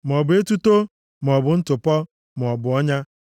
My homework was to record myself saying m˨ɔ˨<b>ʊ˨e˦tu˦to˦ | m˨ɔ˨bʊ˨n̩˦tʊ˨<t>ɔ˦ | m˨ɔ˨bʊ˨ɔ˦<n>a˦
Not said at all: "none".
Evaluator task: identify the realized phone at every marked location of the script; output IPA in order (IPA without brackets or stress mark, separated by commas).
b, p, ɲ